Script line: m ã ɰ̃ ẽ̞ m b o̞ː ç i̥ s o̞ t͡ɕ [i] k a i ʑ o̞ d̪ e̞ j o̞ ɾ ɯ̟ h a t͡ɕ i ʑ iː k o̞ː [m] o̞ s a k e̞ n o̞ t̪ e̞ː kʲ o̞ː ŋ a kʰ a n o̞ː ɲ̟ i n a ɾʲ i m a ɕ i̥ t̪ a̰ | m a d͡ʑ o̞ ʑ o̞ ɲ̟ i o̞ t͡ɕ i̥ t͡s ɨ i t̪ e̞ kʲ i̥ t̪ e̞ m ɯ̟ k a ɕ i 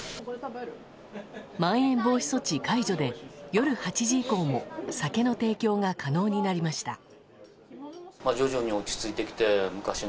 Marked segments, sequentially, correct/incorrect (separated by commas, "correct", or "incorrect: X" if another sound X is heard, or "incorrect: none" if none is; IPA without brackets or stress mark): correct, correct